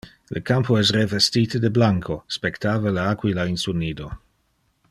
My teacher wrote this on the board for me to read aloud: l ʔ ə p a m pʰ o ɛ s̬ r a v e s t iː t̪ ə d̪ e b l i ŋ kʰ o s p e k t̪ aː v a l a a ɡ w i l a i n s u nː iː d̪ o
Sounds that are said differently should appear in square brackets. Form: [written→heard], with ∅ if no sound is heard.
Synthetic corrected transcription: l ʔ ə [p→k] a m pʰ o ɛ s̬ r [a→e] v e s t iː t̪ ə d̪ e b l [i→a] ŋ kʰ o s p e k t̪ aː v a l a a [ɡ→k] w i l a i n s u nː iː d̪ o